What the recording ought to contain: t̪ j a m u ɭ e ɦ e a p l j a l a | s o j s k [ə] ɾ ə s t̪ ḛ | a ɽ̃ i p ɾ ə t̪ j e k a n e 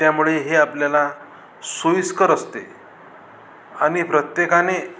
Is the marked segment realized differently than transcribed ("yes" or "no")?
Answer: no